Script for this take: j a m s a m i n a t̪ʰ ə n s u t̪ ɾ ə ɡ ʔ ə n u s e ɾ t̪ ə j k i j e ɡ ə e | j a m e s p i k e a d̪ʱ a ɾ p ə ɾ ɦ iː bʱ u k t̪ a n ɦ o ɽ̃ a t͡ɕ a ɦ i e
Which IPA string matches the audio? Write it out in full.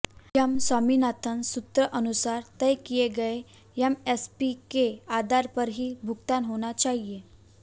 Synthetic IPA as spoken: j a m s a m i n a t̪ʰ ə n s u t̪ ɾ ə ʔ ə n u s a ɾ t̪ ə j k i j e ɡ ə e | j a m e s p i k e a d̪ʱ a ɾ p ə ɾ ɦ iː bʱ u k t̪ a n ɦ o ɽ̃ a t͡ɕ a ɦ i e